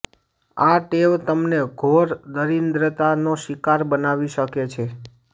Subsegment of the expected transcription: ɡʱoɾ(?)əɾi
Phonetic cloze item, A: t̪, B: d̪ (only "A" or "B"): B